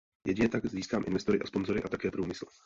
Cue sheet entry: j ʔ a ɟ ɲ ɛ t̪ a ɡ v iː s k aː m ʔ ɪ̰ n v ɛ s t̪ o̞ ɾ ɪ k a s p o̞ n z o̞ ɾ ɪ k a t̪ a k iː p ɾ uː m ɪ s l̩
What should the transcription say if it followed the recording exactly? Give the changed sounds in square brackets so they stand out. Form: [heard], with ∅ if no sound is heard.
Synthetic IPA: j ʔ [ɛ] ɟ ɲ ɛ t̪ a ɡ [z] iː s k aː m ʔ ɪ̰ n v ɛ s t̪ o̞ ɾ ɪ [ʔ] a s p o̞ n z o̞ ɾ ɪ [ʔ] a t̪ a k [ɛː] p ɾ uː m ɪ s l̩